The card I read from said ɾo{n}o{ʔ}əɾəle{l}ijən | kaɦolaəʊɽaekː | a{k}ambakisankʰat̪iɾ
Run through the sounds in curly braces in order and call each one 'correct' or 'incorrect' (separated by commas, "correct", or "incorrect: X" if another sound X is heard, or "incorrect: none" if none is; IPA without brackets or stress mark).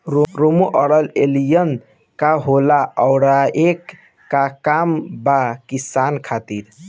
incorrect: m, correct, correct, correct